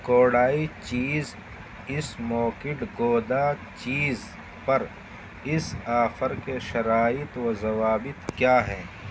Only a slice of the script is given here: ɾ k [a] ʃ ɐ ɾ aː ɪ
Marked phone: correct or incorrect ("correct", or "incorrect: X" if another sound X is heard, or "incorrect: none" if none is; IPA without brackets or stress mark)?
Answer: incorrect: e